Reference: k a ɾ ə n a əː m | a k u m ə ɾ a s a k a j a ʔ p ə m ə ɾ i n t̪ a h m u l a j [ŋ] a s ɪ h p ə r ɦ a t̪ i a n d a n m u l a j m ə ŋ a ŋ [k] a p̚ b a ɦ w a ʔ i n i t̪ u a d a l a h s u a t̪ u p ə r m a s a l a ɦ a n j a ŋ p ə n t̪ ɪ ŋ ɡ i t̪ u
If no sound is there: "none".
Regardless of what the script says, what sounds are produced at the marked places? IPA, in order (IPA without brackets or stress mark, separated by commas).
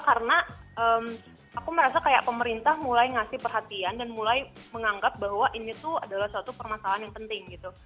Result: ŋ, ɡ